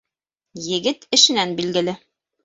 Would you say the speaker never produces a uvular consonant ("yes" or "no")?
yes